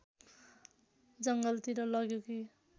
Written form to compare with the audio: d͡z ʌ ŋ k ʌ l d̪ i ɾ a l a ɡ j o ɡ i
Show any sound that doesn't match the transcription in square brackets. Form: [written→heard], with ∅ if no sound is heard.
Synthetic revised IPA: d͡z ʌ ŋ [k→ɡ] ʌ l [d̪→t̪] i ɾ [a→ʌ] l [a→ʌ] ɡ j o [ɡ→k] i